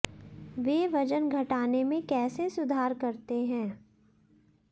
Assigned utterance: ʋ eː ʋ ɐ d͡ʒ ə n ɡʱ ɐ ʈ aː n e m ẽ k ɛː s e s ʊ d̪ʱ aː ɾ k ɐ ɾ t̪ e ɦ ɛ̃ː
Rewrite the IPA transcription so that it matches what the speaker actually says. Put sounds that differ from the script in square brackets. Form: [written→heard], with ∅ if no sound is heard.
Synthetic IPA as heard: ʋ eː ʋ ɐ d͡ʒ ə n ɡʱ ɐ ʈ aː n e m ẽ k ɛː s e s ʊ d̪ʱ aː ɾ k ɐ ɾ t̪ e ɦ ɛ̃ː